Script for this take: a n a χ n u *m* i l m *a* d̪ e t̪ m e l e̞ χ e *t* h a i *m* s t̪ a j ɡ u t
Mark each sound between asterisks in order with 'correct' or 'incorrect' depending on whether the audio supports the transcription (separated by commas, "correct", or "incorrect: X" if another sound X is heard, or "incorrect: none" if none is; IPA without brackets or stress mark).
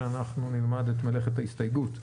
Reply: incorrect: n, correct, correct, incorrect: none